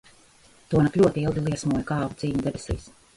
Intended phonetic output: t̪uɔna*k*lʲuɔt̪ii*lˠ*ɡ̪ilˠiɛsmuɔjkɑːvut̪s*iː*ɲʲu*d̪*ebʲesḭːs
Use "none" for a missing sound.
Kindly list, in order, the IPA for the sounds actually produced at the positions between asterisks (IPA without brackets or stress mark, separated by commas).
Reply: k, lˠ, iː, d̪